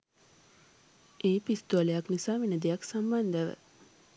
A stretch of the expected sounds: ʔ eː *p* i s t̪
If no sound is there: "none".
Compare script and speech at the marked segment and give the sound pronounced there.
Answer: p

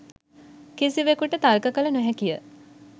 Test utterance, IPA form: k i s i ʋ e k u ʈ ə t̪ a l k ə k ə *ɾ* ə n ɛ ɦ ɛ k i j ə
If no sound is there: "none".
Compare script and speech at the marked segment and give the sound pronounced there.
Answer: l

